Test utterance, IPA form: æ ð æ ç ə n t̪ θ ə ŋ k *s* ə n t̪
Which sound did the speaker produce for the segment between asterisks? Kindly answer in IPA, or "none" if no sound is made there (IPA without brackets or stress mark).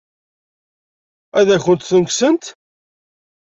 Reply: s